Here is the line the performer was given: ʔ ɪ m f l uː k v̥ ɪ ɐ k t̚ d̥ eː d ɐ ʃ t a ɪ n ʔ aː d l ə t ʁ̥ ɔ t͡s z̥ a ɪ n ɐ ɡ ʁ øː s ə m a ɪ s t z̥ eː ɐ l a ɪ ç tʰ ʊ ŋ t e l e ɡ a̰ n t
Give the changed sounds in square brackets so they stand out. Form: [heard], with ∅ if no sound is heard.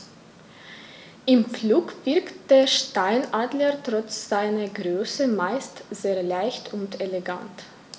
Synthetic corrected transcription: ʔ ɪ m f l uː k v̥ ɪ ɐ k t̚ d̥ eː [∅] ɐ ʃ t a ɪ n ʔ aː d l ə t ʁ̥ ɔ t͡s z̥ a ɪ n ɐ ɡ ʁ øː s ə m a ɪ s t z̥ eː ɐ l a ɪ ç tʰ ʊ [n] t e l e ɡ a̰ n t